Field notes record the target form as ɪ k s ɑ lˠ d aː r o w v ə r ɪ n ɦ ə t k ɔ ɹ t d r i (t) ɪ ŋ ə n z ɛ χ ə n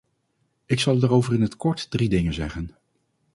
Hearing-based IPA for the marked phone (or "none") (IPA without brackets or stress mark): d